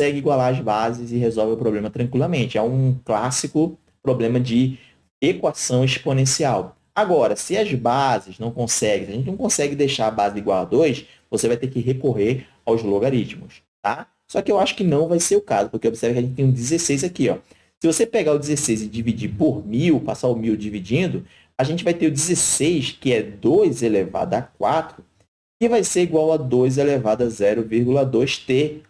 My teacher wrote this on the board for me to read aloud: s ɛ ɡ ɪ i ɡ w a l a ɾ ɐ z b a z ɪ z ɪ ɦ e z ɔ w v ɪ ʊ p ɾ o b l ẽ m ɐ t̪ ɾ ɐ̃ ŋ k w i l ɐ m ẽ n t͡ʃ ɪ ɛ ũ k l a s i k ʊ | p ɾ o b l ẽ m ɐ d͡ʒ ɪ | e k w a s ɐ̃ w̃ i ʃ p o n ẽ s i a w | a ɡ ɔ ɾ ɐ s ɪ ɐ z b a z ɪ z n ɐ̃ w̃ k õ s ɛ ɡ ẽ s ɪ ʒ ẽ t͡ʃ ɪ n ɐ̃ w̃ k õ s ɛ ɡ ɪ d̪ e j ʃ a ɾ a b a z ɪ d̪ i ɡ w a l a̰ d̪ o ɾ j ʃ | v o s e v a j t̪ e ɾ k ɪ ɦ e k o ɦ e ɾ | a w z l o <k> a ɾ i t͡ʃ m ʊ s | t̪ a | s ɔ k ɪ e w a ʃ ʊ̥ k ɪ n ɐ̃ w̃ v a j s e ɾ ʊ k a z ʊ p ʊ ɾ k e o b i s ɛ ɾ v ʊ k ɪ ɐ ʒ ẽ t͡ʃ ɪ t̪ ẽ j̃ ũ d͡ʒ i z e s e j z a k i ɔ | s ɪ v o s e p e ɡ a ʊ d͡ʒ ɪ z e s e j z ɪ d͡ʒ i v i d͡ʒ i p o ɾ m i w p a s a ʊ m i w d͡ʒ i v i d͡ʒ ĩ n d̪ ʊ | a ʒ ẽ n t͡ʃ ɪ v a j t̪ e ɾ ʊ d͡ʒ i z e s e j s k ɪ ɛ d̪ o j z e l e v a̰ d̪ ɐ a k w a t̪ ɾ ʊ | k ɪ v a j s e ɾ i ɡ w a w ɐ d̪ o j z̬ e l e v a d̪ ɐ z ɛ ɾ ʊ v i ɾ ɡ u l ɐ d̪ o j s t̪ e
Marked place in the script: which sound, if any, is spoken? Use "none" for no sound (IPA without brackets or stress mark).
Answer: ɡ